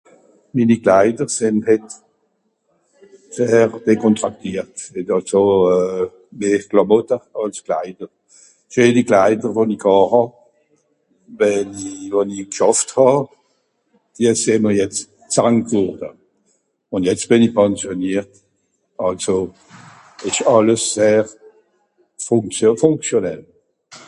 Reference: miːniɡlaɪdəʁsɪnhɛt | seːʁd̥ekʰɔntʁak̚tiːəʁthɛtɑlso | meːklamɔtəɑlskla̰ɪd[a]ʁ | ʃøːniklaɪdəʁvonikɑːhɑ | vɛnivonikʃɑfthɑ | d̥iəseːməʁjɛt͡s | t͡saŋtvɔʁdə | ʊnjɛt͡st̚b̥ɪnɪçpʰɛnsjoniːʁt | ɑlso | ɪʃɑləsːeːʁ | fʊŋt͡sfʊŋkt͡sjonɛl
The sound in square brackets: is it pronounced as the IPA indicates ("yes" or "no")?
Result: no